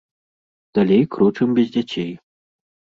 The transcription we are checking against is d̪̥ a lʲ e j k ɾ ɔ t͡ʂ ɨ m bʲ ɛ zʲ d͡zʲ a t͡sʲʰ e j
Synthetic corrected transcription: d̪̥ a lʲ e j k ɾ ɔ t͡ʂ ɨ m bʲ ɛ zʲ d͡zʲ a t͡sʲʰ e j

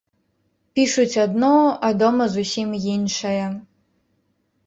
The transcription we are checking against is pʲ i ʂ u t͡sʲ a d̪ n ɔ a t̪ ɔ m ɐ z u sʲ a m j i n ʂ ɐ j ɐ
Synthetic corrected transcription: pʲ i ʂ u t͡sʲ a d̪ n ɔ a d̪ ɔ m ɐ z u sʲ i m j i n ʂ ɐ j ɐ

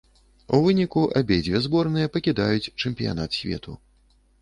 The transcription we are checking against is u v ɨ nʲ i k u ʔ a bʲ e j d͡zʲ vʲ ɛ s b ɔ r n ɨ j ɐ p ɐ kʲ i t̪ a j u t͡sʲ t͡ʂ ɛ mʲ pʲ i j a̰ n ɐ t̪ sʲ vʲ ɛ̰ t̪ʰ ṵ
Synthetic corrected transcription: u v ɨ nʲ i k u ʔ a bʲ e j d͡zʲ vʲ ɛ z b ɔ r n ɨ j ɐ p ɐ kʲ i d̪ a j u t͡sʲ t͡ʂ ɛ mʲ pʲ i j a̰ n a t̪ sʲ vʲ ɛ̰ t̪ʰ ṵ

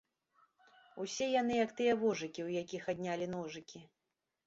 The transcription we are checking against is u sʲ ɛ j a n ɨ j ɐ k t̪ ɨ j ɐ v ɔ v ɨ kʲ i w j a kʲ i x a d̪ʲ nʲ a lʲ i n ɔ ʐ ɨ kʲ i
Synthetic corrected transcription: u sʲ ɛ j a n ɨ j ɐ k t̪ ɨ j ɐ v ɔ ʐ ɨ kʲ i w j a kʲ i x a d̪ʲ nʲ a lʲ i n ɔ ʐ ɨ kʲ i

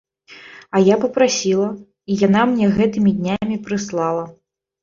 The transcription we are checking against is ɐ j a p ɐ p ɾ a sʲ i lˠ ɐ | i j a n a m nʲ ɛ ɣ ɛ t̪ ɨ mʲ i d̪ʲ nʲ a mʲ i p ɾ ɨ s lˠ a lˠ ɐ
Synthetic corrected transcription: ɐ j a p ɐ p ɾ a sʲ i lˠ ɐ | i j a n a m nʲ ɛ ɣ ɛ t̪ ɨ mʲ i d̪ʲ nʲ a mʲ i p ɾ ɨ s lˠ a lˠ ɐ

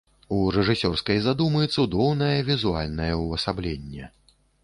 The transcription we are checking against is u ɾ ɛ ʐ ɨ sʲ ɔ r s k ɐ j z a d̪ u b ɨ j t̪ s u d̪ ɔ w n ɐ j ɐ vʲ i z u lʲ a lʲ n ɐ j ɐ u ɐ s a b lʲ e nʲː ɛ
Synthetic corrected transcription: u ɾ ɛ ʐ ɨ sʲ ɔ r s k ɐ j z a d̪ u m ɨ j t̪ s u d̪ ɔ w n ɐ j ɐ vʲ i z u a lʲ n ɐ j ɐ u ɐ s a b lʲ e nʲː ɛ

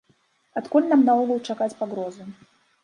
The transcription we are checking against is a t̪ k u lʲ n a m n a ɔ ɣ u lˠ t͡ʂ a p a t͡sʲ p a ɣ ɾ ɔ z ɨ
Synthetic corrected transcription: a t̪ k u lʲ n a m n a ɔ ɣ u lˠ t͡ʂ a k a t͡sʲ p a ɣ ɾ ɔ z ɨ

